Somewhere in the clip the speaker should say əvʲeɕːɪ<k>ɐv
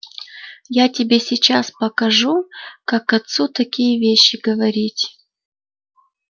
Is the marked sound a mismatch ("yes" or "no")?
yes